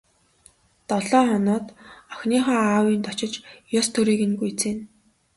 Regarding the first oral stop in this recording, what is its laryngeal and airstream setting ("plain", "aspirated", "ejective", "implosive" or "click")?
plain